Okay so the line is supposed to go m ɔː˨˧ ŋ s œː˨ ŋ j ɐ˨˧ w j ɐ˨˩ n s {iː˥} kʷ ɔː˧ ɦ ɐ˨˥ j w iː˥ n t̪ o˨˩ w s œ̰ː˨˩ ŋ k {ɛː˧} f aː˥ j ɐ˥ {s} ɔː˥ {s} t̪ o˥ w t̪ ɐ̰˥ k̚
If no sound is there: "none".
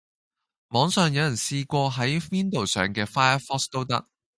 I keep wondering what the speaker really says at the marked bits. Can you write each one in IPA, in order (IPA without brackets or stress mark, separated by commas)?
iː˧, ɛː˧, f, s